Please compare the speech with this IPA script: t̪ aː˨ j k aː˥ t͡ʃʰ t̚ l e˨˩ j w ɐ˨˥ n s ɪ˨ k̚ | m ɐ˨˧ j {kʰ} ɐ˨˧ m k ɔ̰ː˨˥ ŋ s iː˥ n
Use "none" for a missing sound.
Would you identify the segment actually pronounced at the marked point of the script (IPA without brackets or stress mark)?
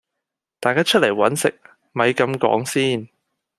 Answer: k